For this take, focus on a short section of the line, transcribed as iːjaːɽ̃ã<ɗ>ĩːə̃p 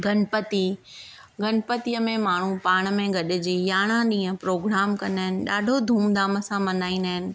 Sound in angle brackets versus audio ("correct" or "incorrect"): correct